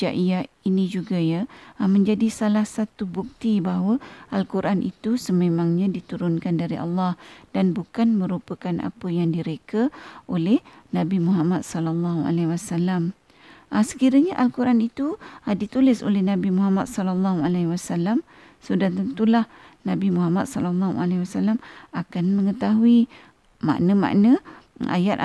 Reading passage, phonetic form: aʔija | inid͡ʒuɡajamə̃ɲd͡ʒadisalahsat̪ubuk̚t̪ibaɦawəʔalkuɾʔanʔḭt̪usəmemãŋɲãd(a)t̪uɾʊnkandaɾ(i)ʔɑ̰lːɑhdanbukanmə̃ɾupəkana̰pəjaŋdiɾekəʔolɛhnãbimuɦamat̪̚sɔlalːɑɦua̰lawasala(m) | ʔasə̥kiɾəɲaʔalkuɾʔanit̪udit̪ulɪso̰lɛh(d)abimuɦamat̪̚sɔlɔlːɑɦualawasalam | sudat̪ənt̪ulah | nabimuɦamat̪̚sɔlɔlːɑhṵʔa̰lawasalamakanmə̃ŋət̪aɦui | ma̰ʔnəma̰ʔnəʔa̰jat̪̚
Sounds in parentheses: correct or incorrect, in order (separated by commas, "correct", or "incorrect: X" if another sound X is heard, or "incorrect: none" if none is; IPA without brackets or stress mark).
incorrect: i, correct, correct, incorrect: n